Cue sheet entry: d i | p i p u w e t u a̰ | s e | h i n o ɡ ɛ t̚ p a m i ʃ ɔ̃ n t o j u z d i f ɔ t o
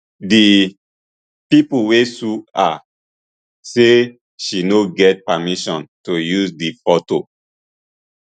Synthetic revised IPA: d i | p i p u w e s u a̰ | s e | ʃ i n o ɡ ɛ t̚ p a m i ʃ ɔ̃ n t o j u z d i f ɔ t o